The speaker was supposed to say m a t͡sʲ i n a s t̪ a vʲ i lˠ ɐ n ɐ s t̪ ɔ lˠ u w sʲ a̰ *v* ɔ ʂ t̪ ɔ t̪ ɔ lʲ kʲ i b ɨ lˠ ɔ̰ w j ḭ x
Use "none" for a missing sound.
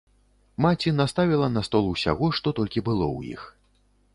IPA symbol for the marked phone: ɣ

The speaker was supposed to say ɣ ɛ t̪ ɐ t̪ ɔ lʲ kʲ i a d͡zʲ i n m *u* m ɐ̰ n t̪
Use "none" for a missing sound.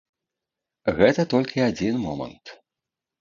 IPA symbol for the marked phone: ɔ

